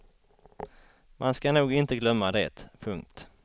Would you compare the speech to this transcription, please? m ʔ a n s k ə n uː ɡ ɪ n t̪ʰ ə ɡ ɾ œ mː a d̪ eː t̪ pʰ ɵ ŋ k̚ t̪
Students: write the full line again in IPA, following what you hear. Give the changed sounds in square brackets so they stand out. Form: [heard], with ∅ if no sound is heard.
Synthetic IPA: m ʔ a n s k [a] n uː ɡ ɪ n [t̪] ə ɡ [l] œ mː a d̪ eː t̪ pʰ ɵ ŋ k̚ t̪